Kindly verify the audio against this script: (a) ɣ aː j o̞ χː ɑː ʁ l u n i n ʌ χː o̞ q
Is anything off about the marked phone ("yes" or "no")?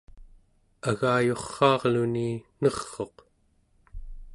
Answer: no